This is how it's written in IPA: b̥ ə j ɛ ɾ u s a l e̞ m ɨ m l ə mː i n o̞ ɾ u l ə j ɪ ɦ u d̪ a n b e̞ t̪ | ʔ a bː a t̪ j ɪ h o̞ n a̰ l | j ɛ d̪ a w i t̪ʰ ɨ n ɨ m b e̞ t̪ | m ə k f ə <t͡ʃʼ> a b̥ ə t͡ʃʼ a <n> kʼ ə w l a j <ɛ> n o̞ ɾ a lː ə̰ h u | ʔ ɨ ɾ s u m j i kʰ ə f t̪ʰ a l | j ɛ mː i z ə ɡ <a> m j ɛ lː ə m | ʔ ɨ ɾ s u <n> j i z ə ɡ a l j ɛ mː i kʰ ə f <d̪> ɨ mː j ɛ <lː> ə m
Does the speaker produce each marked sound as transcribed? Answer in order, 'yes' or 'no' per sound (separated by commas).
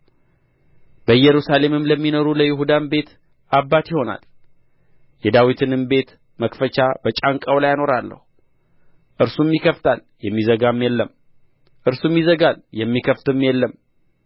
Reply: no, no, no, yes, no, no, yes